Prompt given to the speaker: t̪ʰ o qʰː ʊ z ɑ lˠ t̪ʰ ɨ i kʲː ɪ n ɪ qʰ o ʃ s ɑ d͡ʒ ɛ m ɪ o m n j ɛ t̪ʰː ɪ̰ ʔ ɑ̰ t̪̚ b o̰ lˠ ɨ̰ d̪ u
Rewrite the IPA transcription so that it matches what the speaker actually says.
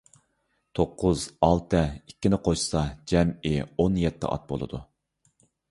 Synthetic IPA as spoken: t̪ʰ o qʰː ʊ z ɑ lˠ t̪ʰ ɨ i kʲː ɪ n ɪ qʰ o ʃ s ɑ d͡ʒ ɛ m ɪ o n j ɛ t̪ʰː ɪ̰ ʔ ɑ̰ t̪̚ b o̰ lˠ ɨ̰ d̪ u